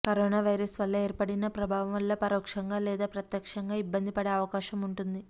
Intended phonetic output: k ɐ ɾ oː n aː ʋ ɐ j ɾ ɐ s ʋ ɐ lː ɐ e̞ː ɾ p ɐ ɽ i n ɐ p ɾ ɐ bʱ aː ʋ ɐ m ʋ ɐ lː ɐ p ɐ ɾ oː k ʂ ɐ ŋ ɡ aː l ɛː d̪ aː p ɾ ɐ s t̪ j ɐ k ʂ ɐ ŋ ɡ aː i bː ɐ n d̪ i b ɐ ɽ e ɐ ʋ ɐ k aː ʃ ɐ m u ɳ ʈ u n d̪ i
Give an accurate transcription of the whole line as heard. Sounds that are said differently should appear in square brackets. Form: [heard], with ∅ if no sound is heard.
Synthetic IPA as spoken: k ɐ ɾ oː n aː ʋ ɐ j ɾ ɐ s ʋ ɐ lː ɐ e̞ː ɾ p ɐ ɽ i n ɐ p ɾ ɐ bʱ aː ʋ ɐ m ʋ ɐ lː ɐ p ɐ ɾ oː k ʂ ɐ ŋ ɡ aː l ɛː d̪ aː p ɾ ɐ [∅] t̪ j ɐ k ʂ ɐ ŋ ɡ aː i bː ɐ n d̪ i [p] ɐ ɽ e ɐ ʋ ɐ k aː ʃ ɐ m u ɳ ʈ u n d̪ i